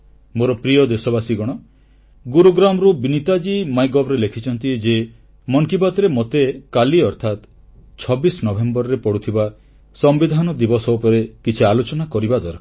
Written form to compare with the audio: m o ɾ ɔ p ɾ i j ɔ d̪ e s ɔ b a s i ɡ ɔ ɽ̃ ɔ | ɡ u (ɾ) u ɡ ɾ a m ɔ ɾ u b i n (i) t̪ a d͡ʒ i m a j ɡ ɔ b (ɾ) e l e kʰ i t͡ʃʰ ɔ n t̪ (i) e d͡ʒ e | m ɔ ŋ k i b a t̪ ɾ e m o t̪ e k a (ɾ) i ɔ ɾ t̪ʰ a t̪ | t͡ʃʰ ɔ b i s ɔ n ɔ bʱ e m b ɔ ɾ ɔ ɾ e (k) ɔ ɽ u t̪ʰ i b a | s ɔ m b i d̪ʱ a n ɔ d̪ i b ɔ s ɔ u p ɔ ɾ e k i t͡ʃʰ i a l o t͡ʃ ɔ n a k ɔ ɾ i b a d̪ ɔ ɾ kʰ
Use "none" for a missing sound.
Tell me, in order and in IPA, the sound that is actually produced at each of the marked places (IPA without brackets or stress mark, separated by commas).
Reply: ɾ, i, ɾ, i, l, p